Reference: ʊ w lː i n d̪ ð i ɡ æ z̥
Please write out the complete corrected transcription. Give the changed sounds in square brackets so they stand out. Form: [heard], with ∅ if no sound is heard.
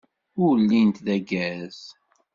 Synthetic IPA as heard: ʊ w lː i n [t̪] ð [æ] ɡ æ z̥